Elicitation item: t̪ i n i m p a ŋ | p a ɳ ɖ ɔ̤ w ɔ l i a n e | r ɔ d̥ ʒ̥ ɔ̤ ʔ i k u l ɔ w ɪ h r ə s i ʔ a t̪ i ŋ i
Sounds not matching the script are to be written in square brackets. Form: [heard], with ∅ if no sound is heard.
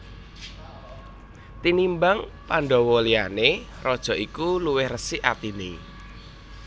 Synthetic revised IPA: t̪ i n i m [b] a ŋ | p a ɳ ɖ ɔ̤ w ɔ l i a n e | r ɔ d̥ ʒ̥ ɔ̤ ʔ i k u l [u] w ɪ h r ə s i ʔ a t̪ i [n] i